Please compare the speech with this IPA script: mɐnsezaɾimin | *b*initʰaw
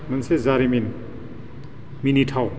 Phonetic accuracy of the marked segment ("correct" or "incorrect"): incorrect